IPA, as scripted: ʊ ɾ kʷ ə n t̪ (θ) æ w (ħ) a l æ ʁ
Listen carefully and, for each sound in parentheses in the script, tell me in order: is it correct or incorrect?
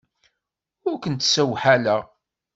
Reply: incorrect, correct

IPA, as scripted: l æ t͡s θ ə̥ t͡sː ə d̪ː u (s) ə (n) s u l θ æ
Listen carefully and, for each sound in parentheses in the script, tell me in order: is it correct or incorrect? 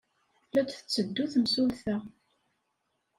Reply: incorrect, incorrect

